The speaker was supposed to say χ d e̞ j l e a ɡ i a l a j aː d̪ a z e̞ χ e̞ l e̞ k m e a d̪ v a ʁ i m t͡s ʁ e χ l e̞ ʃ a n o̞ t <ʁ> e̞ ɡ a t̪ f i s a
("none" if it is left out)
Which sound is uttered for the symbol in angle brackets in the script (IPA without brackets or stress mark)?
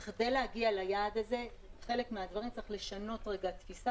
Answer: ʁ